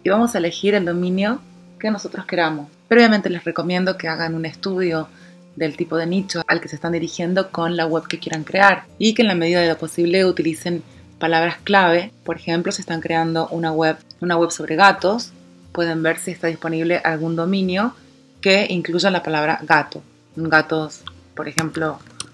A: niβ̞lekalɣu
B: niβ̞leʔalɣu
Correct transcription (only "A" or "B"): B